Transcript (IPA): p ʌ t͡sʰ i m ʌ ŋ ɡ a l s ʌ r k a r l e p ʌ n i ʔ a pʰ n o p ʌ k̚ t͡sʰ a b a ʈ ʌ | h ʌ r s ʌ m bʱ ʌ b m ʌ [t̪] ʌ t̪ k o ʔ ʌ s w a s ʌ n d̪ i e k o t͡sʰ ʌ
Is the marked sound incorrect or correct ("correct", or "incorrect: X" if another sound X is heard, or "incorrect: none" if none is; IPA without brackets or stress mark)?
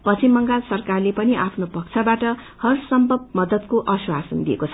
incorrect: d̪